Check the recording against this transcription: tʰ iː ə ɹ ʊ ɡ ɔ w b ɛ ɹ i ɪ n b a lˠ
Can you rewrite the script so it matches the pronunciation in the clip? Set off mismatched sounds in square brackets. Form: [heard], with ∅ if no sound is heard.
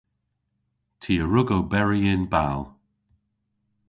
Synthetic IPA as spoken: tʰ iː ə ɹ ʊ ɡ [o] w b ɛ ɹ i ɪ n b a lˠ